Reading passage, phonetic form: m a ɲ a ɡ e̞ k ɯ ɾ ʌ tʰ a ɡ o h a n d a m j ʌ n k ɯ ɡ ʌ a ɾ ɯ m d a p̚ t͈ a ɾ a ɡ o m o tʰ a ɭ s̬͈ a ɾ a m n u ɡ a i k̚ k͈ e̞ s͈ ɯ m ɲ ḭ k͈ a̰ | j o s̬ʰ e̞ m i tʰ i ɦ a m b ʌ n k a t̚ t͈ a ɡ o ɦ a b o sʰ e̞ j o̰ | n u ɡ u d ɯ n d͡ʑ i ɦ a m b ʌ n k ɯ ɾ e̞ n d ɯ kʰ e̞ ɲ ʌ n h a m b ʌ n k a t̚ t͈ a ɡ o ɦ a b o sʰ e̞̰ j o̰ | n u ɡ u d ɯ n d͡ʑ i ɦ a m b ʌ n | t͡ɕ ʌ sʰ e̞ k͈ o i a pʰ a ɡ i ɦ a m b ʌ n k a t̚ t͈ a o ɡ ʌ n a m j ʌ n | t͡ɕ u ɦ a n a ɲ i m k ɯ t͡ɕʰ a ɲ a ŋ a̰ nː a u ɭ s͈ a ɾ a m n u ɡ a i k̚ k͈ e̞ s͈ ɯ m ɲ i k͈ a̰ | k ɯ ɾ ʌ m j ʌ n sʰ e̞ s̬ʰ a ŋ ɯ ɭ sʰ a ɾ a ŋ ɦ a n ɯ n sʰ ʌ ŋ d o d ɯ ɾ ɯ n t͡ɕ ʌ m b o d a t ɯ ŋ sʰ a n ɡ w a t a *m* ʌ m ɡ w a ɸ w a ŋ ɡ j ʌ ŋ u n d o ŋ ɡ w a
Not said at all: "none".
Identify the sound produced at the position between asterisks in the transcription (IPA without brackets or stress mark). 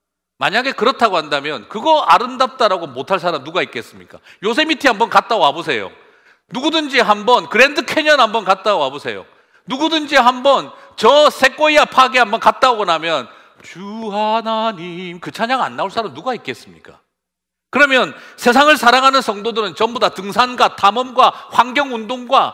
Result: m